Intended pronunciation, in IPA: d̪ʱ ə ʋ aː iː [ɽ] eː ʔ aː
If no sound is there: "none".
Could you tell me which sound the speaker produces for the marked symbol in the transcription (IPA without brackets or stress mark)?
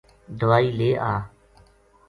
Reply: l